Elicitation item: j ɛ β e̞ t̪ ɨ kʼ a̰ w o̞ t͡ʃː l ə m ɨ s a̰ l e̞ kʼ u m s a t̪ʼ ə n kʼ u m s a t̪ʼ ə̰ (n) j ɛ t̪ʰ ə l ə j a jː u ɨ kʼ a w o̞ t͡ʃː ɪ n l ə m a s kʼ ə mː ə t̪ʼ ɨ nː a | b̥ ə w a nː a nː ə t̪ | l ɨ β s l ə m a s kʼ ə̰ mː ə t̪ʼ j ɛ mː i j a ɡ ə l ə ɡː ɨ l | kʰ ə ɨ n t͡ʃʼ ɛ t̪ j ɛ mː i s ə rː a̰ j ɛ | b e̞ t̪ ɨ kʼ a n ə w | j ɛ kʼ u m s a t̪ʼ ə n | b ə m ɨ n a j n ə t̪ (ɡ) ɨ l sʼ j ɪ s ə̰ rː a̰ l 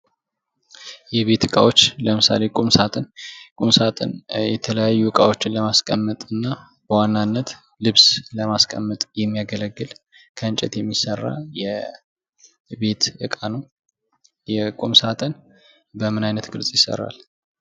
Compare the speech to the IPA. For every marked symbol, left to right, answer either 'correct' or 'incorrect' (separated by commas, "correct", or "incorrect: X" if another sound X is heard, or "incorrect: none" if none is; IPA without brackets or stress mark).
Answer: correct, correct